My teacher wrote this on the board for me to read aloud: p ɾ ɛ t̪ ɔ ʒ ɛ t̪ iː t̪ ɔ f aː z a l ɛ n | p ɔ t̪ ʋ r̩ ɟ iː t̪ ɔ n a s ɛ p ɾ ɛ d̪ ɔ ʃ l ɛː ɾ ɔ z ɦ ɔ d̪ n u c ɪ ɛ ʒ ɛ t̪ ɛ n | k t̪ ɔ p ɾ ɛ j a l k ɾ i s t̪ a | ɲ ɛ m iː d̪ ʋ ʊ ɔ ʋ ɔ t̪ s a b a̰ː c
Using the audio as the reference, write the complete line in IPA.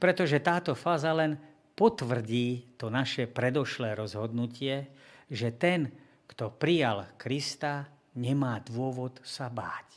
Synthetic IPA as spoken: p ɾ ɛ t̪ ɔ ʒ ɛ t̪ aː t̪ ɔ f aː z a l ɛ n | p ɔ t̪ ʋ r̩ ɟ iː t̪ ɔ n a ʃ ɛ p ɾ ɛ d̪ ɔ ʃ l ɛː ɾ ɔ z ɦ ɔ d̪ n u c ɪ ɛ ʒ ɛ t̪ ɛ n | k t̪ ɔ p ɾ i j a l k ɾ i s t̪ a | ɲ ɛ m aː d̪ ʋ ʊ ɔ ʋ ɔ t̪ s a b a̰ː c